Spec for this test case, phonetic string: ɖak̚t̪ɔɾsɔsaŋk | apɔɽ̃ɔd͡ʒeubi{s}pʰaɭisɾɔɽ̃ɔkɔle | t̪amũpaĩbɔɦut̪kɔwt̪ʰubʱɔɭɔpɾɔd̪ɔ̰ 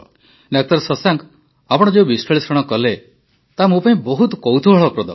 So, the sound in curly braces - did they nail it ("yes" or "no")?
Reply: yes